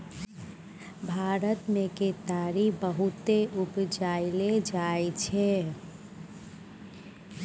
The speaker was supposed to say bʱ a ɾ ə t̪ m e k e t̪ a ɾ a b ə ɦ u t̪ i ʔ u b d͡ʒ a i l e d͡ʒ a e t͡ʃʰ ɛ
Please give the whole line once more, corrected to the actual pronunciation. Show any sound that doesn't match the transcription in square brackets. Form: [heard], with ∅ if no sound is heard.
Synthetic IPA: bʱ a ɾ ə t̪ m e k e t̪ a ɾ [i] b ə ɦ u t̪ [e] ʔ u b d͡ʒ a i l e d͡ʒ a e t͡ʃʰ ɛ